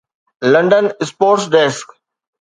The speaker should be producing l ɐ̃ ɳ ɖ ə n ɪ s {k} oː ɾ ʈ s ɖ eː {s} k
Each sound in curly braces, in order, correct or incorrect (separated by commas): incorrect, correct